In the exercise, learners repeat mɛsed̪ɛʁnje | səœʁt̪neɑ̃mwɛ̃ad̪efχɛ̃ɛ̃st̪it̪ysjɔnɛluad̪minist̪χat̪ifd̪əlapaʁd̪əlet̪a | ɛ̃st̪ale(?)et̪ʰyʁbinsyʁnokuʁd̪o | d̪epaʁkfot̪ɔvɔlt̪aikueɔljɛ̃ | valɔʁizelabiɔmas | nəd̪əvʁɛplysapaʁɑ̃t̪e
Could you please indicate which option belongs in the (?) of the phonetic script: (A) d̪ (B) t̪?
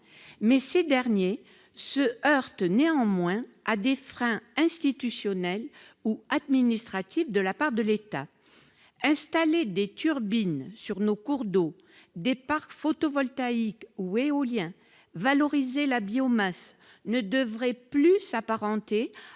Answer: A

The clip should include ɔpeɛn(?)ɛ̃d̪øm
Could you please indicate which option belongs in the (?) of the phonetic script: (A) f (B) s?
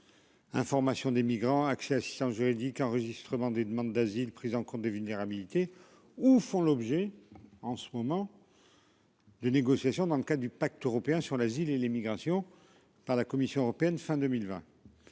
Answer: A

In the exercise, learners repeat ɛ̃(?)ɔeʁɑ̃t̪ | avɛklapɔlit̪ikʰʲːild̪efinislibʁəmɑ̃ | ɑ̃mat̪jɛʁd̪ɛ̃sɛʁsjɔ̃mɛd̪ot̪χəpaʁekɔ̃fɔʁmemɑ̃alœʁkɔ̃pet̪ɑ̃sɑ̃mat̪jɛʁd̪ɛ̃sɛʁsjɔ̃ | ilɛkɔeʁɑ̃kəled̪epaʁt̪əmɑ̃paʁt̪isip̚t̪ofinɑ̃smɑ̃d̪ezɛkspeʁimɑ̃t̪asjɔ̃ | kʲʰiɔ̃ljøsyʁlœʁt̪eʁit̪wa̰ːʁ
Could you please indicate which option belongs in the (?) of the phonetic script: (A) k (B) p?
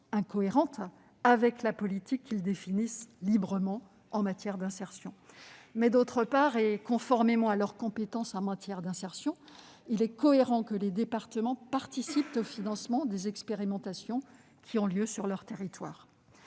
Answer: A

